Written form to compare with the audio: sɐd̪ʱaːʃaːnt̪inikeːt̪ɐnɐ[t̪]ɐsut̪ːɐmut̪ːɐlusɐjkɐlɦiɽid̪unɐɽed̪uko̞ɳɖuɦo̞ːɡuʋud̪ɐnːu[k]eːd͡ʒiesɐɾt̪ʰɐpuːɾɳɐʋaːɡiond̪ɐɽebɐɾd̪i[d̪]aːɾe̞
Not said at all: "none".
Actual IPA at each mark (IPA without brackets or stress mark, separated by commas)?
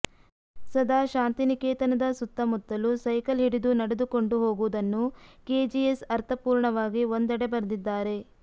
d̪, k, d̪ː